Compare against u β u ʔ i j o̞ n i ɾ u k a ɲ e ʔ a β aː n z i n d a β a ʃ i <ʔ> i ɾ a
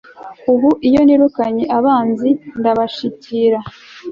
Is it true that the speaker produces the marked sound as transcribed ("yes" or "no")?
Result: no